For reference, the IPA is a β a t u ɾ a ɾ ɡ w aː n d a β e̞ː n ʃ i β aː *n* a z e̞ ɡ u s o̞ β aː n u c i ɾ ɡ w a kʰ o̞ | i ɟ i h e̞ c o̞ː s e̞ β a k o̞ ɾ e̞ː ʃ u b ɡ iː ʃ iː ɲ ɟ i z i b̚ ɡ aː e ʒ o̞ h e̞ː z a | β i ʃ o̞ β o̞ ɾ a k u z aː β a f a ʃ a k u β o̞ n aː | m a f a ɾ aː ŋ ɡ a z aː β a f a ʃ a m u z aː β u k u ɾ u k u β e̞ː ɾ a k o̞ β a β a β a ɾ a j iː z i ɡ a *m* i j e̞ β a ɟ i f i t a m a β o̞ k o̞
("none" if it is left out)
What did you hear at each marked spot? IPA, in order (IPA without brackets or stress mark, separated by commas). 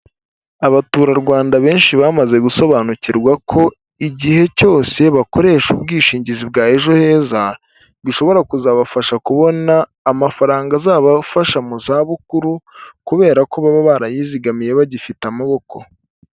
m, m